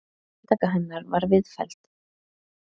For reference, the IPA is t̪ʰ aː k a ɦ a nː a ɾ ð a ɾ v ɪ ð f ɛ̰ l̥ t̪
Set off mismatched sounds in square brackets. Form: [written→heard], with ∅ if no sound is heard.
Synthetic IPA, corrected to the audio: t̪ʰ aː k a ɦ [a→ɛ] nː a ɾ [ð→v] a ɾ v ɪ ð f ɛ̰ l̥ t̪